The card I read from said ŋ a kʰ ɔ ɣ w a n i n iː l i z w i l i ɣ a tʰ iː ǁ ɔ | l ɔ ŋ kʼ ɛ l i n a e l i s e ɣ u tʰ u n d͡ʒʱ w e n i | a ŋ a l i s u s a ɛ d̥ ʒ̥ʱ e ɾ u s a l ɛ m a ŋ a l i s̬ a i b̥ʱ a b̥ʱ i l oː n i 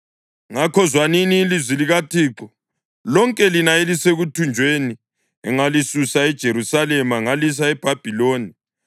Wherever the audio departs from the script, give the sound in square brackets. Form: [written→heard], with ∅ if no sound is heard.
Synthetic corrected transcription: ŋ a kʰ ɔ [ɣ→z] w a n i n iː l i z w i l i ɣ a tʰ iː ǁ ɔ | l ɔ ŋ kʼ ɛ l i n a e l i s e ɣ u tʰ u n d͡ʒʱ w e n i | [a→ɛ] ŋ a l i s u s a ɛ d̥ ʒ̥ʱ e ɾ u s a l ɛ m a ŋ a l i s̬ a [i→ɛ] b̥ʱ a b̥ʱ i l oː n i